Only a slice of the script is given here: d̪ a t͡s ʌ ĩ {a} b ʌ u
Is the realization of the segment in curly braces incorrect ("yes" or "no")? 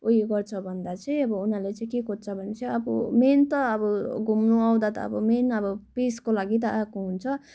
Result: yes